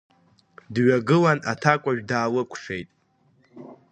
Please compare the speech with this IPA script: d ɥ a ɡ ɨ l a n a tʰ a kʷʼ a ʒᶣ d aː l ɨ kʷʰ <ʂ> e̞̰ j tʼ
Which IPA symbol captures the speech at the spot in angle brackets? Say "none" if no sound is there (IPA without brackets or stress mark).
ʂ